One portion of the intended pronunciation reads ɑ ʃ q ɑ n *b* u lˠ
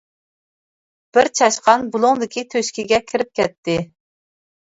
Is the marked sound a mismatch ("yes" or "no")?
no